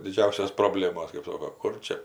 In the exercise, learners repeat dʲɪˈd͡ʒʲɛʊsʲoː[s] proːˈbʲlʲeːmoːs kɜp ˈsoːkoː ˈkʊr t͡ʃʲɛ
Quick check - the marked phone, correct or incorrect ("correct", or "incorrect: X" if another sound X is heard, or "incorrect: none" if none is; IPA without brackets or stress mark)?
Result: correct